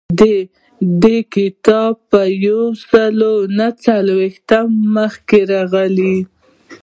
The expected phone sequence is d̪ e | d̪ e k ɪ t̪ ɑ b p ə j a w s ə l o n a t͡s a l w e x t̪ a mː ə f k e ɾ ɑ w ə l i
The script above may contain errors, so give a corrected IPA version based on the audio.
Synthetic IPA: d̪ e | d̪ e k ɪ t̪ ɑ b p ə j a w s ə l o n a t͡s a l w e x t̪ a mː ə x k e ɾ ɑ ɣ ə l i